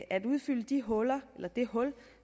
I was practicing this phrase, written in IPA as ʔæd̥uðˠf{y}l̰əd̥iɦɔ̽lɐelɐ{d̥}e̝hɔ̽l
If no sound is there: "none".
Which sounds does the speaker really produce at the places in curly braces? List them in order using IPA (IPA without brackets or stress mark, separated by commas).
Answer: y, d̥